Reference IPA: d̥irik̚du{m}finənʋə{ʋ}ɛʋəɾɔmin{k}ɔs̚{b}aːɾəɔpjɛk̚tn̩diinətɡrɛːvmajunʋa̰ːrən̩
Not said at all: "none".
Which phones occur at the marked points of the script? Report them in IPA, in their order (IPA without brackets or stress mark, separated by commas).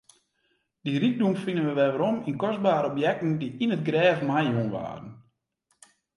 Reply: m, ʋ, k, b